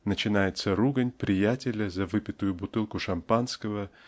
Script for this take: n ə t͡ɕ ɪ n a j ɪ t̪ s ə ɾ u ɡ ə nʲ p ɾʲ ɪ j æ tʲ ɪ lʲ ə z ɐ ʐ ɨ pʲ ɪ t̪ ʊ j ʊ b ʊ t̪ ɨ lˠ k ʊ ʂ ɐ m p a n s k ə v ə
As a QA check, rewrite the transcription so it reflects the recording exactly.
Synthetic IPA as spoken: n ə t͡ɕ ɪ n a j ɪ t̪ s ə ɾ u ɡ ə nʲ p ɾʲ ɪ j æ tʲ ɪ lʲ ə z ɐ v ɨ pʲ ɪ t̪ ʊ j ʊ b ʊ t̪ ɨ lˠ k ʊ ʂ ɐ m p a n s k ə v ə